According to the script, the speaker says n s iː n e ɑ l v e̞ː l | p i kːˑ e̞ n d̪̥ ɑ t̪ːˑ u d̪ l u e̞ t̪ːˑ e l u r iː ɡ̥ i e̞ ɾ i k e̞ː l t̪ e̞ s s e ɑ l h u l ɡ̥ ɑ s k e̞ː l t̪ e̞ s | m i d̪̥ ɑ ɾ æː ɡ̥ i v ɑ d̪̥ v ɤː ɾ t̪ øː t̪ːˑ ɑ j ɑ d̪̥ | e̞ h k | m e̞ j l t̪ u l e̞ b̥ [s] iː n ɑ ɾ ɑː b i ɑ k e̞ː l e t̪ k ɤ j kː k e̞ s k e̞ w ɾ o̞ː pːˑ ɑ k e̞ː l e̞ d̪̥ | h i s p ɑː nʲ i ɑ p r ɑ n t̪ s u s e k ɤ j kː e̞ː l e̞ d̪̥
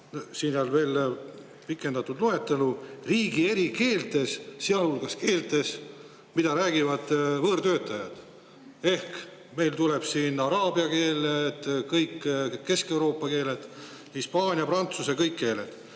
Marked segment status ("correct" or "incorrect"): correct